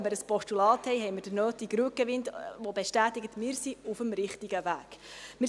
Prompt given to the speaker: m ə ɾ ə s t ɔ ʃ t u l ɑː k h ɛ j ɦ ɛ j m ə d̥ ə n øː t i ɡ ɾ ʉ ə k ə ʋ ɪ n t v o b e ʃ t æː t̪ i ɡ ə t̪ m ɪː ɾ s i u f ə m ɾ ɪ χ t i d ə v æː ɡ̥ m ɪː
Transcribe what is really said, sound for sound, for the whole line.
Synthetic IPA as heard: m ə ɾ ə s p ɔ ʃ t u l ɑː t h ɛ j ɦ ɛ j m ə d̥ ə n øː t i ɡ ɾ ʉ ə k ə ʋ ɪ n t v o b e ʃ t æː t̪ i ɡ ə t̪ m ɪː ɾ s i u f ə m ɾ ɪ χ t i ɡ ə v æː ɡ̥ m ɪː